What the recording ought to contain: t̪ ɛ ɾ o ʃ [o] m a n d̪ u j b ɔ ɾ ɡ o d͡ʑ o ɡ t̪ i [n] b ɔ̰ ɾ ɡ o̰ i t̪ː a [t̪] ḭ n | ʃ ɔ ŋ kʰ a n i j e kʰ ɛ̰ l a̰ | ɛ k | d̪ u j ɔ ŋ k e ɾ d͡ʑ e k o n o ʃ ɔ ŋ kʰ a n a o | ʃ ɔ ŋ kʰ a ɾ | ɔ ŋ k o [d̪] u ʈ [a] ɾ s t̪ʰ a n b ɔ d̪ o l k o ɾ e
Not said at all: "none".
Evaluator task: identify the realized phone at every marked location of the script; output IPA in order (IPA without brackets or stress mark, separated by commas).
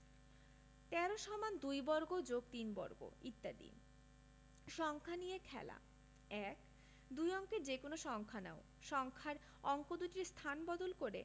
ɔ, n, d̪, d̪, i